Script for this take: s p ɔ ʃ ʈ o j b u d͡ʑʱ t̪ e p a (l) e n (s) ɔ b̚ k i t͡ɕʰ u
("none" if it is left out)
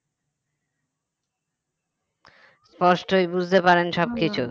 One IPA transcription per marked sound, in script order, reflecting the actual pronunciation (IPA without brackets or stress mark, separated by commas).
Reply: ɾ, ʃ